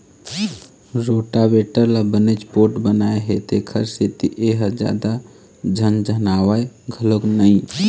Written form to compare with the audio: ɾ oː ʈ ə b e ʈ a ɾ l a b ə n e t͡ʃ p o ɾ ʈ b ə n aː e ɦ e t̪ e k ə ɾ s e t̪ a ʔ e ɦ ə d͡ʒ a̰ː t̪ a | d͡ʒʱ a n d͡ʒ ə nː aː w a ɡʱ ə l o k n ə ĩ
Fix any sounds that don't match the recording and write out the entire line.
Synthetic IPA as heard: ɾ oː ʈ a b e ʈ ə ɾ l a b ə n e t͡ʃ p o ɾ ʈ b ə n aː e ɦ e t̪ e kʰ ə ɾ s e t̪ i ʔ e ɦ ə d͡ʒ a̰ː d̪ a | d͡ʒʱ ə n d͡ʒ ə n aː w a ɡʱ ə l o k n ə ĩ